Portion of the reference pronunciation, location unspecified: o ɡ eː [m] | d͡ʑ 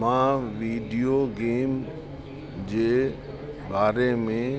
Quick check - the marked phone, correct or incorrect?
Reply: correct